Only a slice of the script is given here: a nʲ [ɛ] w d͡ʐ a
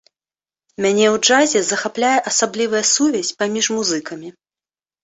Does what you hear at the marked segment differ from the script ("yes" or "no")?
no